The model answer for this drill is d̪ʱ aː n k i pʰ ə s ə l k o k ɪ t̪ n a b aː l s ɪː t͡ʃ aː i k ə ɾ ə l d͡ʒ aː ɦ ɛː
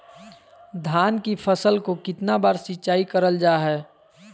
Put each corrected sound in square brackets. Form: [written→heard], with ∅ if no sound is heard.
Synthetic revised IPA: d̪ʱ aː n k i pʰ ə s ə l k o k ɪ t̪ n a b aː [l→ɾ] s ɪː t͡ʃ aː i k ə ɾ ə l d͡ʒ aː ɦ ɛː